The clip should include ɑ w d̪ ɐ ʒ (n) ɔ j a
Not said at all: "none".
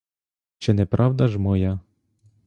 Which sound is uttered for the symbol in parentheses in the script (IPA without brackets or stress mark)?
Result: m